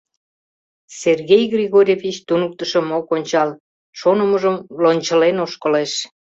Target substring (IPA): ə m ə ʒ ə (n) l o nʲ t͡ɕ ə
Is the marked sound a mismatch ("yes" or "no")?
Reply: yes